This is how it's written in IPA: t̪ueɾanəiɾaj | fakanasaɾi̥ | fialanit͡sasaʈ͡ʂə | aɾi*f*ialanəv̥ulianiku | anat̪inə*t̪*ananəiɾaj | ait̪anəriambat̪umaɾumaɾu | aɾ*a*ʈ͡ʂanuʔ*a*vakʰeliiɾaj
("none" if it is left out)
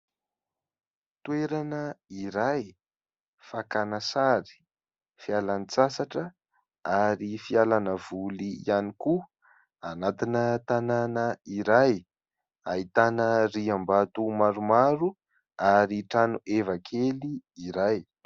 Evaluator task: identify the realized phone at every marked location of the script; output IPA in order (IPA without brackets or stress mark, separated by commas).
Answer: f, t̪, i, e